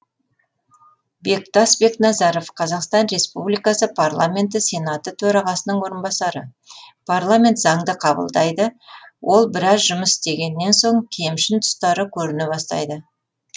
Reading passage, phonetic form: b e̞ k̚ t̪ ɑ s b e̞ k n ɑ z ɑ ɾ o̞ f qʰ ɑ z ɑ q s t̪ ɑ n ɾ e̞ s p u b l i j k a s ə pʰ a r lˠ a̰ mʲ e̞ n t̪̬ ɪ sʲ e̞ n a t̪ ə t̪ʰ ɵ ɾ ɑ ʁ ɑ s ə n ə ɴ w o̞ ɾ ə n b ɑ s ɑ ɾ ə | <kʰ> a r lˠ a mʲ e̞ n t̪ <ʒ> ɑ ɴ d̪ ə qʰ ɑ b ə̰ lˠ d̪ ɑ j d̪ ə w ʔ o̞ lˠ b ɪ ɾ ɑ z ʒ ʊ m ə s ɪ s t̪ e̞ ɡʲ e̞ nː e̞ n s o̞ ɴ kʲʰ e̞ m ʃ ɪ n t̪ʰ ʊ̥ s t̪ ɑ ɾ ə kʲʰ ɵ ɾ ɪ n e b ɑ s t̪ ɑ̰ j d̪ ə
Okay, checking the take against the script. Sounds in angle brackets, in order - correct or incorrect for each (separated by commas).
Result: incorrect, incorrect